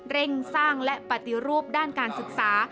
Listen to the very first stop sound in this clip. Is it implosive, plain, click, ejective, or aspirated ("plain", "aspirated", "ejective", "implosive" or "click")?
plain